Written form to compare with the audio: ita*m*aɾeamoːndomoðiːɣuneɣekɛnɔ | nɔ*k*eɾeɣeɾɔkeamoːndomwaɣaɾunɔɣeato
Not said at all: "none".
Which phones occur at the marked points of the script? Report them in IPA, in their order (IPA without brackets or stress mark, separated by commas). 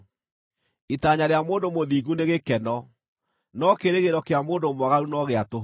ɲ, k